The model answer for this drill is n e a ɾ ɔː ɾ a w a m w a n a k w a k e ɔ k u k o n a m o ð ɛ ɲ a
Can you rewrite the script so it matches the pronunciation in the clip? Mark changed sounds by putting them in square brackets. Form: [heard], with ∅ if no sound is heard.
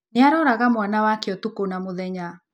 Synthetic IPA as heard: n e a ɾ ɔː ɾ a [ɣ] a m w a n a [∅] w a k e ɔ [t] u k o n a m o ð ɛ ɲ a